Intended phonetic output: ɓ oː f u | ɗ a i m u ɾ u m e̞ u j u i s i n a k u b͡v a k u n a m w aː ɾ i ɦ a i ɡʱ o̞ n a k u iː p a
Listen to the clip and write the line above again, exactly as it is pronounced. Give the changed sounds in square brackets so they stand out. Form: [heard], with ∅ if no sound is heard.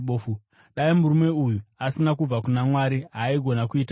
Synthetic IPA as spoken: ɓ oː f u | ɗ a i m u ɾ u m e̞ u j u [a] s i n a k u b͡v a k u n a m w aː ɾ i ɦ a i ɡʱ o̞ n a k u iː [t] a